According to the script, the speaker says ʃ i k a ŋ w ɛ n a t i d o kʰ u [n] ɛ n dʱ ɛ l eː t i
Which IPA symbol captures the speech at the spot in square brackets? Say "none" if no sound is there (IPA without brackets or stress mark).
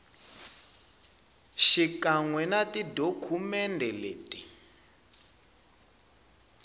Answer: m